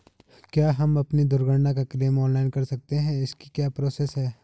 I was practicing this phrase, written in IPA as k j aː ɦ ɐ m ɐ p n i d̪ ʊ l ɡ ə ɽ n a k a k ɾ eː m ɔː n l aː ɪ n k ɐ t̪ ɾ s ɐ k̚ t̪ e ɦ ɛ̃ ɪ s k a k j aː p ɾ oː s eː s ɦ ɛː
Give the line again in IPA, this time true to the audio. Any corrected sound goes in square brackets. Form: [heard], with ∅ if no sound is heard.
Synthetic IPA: k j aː ɦ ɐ m ɐ p n i d̪ ʊ [ɾ] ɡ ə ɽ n a k a k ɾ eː m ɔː n l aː ɪ n k ɐ [∅] ɾ s ɐ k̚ t̪ e ɦ ɛ̃ ɪ s k [i] k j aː p ɾ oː s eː s ɦ ɛː